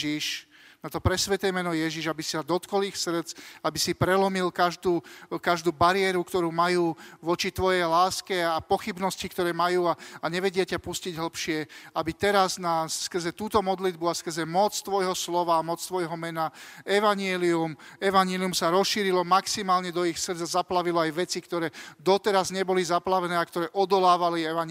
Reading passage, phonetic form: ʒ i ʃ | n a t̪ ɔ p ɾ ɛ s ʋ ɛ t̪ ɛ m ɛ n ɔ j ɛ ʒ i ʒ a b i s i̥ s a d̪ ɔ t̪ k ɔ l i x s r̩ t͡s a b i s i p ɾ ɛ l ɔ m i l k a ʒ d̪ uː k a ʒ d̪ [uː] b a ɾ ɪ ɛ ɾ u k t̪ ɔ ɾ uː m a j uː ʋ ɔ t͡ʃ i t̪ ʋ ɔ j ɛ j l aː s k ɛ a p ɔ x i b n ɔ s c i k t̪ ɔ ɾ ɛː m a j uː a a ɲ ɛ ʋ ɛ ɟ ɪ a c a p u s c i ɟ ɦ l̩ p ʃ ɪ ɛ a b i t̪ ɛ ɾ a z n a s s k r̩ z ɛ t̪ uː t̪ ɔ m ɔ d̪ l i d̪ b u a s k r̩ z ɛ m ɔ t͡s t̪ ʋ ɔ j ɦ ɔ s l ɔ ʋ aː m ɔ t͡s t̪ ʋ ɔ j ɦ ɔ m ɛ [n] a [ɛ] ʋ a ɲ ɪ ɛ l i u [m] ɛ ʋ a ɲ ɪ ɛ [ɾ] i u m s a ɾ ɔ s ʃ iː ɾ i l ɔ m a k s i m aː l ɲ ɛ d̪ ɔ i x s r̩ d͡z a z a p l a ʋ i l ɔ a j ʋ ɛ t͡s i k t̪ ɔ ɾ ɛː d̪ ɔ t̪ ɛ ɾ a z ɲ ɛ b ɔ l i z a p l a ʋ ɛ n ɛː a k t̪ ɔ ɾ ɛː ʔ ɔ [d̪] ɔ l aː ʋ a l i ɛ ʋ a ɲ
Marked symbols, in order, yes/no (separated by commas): yes, yes, yes, yes, no, yes